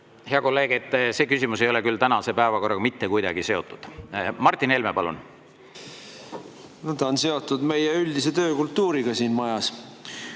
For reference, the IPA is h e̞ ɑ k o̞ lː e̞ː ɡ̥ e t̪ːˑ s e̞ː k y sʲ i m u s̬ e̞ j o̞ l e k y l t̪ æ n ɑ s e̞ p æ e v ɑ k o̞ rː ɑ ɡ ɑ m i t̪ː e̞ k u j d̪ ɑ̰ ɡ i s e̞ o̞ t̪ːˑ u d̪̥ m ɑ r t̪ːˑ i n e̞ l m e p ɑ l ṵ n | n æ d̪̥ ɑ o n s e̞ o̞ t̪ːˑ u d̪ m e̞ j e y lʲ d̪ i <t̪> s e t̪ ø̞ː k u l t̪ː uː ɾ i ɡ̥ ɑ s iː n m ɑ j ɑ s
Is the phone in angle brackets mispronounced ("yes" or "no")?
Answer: yes